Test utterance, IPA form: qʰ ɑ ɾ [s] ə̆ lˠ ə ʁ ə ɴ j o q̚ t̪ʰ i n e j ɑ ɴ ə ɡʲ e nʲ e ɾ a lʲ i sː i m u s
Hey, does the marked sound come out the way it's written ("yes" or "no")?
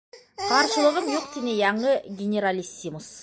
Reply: no